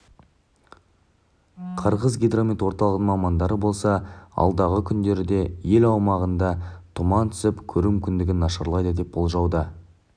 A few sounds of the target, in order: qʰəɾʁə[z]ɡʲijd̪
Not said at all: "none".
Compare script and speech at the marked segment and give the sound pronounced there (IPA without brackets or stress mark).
z